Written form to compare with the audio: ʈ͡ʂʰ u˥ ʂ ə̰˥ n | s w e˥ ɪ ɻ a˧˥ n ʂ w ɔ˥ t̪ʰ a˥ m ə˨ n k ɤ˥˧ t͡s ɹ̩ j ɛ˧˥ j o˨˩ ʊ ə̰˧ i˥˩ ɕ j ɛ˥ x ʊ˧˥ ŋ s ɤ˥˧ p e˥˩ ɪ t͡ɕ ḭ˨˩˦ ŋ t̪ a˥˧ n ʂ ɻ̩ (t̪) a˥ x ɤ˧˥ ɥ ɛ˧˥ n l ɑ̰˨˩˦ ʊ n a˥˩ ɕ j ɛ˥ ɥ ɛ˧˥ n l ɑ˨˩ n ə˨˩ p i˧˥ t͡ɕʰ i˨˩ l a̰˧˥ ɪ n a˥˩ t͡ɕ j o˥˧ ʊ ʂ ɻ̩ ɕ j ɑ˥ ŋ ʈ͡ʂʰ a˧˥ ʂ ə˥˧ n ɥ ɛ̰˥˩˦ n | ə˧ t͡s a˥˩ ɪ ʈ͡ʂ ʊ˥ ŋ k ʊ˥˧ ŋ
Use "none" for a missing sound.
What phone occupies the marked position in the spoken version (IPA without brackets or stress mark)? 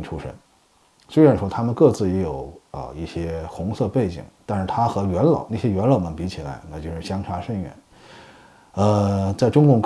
t̪ʰ